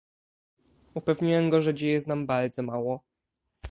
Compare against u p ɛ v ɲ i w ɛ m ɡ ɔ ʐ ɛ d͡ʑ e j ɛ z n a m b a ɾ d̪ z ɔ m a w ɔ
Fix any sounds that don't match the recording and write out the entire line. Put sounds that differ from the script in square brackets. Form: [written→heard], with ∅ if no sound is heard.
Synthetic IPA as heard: u p ɛ v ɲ i w ɛ m ɡ ɔ ʐ ɛ d͡ʑ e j ɛ z n a m b a ɾ d̪ z ɔ m a w ɔ